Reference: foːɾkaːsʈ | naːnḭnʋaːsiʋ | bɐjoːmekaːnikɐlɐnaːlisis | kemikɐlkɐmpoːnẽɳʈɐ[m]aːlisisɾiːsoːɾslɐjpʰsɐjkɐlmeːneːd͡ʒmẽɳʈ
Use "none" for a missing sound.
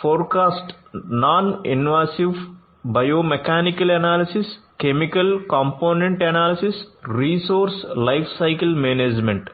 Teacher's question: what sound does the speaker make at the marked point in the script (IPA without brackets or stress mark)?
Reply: n